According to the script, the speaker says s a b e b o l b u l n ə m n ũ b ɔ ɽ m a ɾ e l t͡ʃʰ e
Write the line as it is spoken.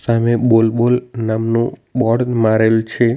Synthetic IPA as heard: s a m e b o l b o l n a m n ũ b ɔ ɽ m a ɾ e l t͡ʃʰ e